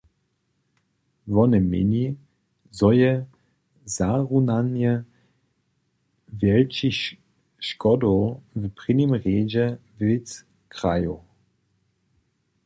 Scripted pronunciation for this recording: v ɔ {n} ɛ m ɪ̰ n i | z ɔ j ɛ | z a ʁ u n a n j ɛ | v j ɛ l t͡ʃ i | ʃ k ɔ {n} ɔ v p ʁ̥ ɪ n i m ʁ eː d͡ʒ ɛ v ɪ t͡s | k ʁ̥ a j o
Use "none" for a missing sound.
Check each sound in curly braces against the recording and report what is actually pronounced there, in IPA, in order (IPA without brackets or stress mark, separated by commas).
n, d